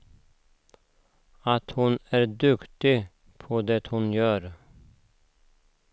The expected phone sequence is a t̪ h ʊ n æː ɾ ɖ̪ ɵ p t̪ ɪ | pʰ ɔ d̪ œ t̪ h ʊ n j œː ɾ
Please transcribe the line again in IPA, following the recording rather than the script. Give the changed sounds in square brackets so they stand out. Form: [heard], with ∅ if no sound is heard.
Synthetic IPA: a t̪ h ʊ n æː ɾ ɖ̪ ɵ [k] t̪ ɪ | pʰ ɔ d̪ [ɛ] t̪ h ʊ n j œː ɾ